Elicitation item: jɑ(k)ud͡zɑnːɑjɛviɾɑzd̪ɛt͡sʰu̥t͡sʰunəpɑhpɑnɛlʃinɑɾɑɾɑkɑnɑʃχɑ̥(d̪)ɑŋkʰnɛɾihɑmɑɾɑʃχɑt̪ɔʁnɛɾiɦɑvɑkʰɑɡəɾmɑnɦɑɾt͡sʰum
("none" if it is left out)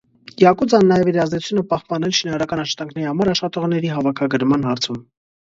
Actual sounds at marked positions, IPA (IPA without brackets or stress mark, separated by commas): k, t̪